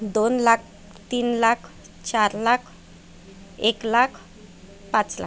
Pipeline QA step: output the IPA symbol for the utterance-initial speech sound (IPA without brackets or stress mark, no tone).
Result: d̪